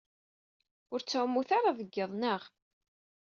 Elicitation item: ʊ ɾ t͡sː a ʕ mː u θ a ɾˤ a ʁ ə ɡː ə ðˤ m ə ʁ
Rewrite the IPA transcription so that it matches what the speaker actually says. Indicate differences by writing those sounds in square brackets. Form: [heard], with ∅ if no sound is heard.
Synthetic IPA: ʊ ɾ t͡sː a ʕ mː u θ a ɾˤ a [ð] ə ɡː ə ðˤ [n] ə ʁ